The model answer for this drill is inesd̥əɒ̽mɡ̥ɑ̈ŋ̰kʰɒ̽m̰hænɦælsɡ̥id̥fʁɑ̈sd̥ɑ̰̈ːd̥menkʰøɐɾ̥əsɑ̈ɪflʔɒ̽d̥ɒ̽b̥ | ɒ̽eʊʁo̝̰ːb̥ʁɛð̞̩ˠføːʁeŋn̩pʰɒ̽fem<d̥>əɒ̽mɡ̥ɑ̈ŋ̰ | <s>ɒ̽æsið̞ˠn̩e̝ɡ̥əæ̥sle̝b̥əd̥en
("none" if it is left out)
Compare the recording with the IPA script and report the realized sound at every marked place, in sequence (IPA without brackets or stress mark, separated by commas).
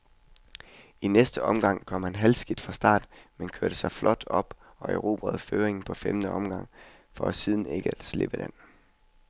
d̥, f